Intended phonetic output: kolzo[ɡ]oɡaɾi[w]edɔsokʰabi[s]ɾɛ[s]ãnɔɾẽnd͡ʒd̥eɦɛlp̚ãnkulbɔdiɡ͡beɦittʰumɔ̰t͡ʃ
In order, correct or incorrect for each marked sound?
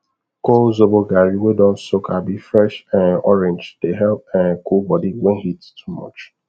incorrect: b, correct, incorrect: f, incorrect: ʃ

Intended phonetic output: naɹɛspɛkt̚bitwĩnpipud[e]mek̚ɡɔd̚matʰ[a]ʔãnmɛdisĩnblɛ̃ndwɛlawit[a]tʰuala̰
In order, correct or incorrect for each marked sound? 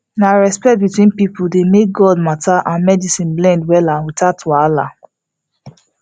correct, correct, correct

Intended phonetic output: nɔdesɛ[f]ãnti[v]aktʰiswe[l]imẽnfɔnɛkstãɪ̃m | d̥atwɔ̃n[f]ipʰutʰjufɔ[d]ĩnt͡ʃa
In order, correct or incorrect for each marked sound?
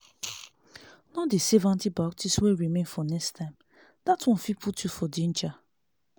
incorrect: v, incorrect: b, incorrect: ɹ, correct, correct

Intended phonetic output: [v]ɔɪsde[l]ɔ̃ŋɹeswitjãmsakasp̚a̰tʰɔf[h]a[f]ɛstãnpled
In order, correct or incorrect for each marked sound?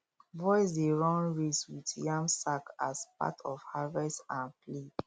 correct, incorrect: ɹ, correct, incorrect: v

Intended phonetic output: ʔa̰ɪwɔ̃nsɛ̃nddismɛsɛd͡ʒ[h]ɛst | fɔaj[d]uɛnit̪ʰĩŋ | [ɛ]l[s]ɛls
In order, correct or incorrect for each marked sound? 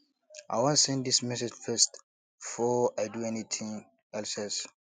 incorrect: f, correct, correct, correct

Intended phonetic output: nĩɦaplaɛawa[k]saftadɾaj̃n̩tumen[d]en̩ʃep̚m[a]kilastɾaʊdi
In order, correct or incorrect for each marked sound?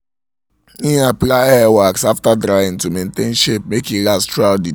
correct, incorrect: t, incorrect: e

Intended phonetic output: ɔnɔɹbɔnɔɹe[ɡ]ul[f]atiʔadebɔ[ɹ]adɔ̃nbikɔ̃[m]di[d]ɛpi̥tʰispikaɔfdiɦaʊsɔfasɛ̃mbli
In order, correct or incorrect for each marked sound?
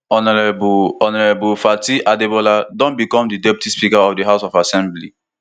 incorrect: b, correct, incorrect: l, correct, correct

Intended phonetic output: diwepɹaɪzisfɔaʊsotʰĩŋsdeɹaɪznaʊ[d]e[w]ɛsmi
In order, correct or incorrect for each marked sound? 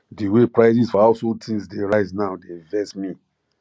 correct, incorrect: v

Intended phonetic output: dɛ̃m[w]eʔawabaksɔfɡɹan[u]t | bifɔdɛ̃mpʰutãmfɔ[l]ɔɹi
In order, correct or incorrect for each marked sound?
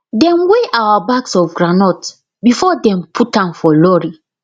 correct, incorrect: ɔ, correct

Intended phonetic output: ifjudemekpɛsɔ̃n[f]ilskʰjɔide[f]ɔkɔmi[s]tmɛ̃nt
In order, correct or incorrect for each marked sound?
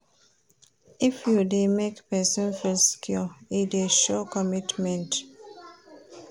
correct, incorrect: ʃ, incorrect: none

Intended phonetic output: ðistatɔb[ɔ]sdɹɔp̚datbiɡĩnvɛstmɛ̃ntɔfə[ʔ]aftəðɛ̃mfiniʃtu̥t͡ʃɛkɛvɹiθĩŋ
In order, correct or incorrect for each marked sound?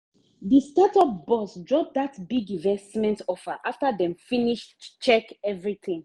correct, correct

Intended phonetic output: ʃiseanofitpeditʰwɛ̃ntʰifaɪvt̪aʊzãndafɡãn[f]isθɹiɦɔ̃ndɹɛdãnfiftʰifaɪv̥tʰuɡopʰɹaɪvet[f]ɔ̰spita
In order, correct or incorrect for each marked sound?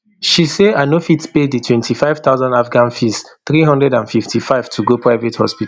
correct, incorrect: h

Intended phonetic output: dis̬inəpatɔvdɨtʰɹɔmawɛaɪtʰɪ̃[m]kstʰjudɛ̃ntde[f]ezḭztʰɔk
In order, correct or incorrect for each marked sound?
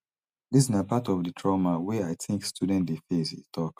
incorrect: ŋ, correct

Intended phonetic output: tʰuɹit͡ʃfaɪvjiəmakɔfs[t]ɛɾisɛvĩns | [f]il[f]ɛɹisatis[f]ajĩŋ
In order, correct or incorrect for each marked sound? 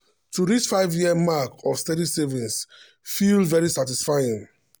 correct, correct, incorrect: v, correct

